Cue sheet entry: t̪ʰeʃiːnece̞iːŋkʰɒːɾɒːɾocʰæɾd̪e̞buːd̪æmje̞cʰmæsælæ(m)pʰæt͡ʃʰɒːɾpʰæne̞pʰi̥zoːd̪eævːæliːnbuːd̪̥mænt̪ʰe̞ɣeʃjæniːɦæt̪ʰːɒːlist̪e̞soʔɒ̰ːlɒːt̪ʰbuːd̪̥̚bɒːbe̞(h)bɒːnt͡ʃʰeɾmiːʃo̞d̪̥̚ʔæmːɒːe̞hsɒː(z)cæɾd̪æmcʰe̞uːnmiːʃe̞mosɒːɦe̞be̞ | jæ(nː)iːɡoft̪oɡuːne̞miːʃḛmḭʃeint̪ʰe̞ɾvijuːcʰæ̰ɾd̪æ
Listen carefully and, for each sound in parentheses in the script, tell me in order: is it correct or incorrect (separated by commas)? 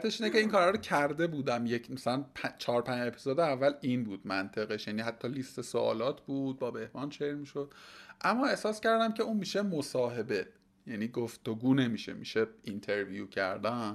incorrect, correct, incorrect, incorrect